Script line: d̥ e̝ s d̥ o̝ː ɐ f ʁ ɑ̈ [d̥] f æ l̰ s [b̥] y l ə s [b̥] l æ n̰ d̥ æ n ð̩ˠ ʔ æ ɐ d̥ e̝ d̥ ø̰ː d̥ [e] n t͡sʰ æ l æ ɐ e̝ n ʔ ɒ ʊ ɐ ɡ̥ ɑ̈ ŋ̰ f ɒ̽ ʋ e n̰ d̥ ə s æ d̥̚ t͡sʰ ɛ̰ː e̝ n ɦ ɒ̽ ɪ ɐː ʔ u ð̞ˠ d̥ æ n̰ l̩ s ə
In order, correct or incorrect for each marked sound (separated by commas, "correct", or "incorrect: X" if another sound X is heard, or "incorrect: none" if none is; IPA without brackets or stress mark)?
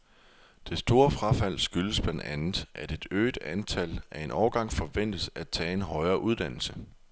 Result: incorrect: none, incorrect: ɡ̥, correct, incorrect: æ